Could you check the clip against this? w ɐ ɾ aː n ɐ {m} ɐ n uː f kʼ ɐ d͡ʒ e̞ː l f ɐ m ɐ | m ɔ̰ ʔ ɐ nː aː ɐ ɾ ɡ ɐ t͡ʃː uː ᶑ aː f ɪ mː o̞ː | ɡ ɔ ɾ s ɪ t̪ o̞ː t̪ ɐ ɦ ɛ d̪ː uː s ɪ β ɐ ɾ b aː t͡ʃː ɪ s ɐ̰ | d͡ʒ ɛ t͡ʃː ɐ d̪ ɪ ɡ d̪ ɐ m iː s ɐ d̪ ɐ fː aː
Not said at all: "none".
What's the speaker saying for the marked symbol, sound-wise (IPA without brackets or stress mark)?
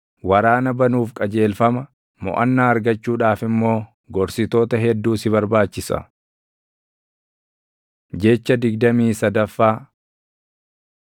b